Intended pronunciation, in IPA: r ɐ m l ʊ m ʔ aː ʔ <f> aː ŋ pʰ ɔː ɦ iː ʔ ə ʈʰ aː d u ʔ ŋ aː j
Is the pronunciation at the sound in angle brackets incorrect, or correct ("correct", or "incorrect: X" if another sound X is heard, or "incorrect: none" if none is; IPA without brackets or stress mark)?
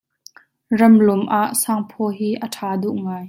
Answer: incorrect: s